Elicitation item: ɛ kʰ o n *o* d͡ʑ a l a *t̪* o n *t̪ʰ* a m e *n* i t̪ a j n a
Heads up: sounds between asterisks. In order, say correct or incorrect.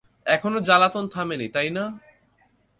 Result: correct, correct, correct, correct

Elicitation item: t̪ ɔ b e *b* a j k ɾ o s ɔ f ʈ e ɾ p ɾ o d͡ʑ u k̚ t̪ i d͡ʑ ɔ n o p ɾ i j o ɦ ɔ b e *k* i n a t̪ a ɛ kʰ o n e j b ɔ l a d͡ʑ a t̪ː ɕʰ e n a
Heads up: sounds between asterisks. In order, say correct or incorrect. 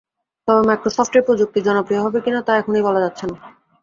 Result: incorrect, correct

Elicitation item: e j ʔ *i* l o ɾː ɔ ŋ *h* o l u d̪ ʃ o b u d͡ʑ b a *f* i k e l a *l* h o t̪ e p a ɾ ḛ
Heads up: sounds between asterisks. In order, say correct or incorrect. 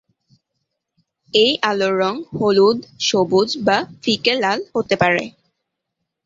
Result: incorrect, correct, correct, correct

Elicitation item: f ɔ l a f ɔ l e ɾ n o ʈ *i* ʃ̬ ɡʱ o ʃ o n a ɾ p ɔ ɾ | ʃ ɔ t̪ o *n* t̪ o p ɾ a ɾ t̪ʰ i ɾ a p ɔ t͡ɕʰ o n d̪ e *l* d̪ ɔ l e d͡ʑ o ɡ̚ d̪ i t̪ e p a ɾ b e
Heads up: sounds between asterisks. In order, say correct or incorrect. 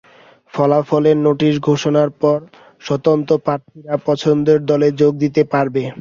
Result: correct, correct, incorrect

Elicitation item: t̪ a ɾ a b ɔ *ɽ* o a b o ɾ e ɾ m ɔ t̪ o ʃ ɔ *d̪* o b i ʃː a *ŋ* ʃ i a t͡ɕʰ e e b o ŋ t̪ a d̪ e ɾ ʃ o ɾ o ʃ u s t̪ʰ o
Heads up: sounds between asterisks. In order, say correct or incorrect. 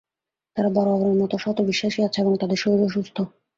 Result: incorrect, incorrect, incorrect

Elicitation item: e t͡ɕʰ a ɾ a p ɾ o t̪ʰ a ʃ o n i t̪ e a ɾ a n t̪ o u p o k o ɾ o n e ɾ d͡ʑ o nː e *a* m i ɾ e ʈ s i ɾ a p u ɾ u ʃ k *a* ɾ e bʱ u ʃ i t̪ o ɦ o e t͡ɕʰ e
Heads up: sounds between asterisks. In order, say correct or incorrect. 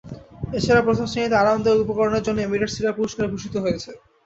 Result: incorrect, correct

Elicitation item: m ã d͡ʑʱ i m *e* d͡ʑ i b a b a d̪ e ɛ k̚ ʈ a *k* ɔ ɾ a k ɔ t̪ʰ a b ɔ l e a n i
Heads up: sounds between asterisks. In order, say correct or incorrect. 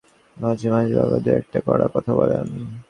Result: incorrect, correct

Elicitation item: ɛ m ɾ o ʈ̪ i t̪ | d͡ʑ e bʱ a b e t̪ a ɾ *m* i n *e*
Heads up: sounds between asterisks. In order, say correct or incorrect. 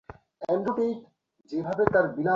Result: incorrect, incorrect

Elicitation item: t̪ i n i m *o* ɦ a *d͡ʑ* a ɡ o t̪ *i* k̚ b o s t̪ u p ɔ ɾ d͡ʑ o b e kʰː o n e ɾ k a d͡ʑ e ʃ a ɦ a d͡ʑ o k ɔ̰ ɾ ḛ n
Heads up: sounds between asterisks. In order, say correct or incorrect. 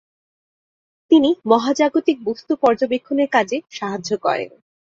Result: incorrect, correct, correct

